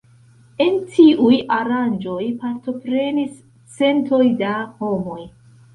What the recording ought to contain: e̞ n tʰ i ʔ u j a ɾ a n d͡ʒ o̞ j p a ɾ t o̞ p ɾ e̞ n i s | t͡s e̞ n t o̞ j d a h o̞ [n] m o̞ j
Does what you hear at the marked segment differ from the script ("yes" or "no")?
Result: yes